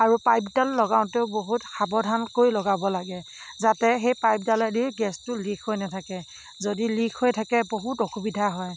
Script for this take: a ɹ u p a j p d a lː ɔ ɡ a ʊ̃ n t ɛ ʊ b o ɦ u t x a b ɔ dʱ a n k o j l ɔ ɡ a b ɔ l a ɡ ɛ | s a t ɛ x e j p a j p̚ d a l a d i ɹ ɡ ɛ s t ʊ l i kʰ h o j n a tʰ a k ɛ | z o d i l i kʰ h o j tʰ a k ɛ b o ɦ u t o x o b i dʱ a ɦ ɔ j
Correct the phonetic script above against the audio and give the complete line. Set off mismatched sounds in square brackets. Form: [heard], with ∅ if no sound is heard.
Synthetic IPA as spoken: a ɹ u p a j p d a lː ɔ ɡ a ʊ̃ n t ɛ ʊ b o ɦ u t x a b ɔ dʱ a n k o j l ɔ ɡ a b ɔ l a ɡ ɛ | [z] a t ɛ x e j p a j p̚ d a l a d i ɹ ɡ ɛ s t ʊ l i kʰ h o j n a tʰ a k ɛ | z o d i l i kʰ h o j tʰ a k ɛ b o ɦ u t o x [u] b i dʱ a ɦ ɔ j